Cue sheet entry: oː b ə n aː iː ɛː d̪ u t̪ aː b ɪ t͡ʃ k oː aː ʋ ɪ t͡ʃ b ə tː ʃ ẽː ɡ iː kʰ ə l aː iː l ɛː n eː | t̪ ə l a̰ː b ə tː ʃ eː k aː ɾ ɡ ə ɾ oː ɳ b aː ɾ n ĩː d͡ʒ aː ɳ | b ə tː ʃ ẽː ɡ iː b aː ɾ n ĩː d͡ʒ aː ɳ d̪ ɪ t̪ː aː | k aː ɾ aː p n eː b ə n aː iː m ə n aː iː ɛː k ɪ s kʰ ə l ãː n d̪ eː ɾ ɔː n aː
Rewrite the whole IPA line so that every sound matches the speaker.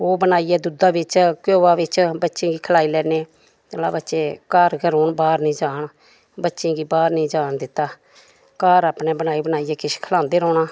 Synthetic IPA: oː b ə n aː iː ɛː d̪ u d̪ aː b ɪ t͡ʃ k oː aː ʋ ɪ t͡ʃ b ə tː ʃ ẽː ɡ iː kʰ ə l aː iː l ɛː n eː | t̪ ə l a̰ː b ə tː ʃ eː k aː ɾ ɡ ə ɾ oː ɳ b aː ɾ n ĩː d͡ʒ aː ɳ | b ə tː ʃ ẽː ɡ iː b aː ɾ n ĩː d͡ʒ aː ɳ d̪ ɪ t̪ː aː | k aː ɾ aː p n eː b ə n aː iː b ə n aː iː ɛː k ɪ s kʰ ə l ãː n d̪ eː ɾ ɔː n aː